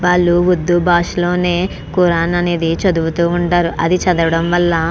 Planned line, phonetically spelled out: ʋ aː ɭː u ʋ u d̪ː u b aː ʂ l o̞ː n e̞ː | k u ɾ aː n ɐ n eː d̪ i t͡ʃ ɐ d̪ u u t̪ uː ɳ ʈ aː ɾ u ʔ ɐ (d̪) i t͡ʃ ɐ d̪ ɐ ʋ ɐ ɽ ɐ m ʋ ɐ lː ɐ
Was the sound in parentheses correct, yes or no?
yes